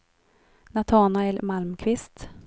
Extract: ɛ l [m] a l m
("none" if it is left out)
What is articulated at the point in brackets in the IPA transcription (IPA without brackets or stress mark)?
m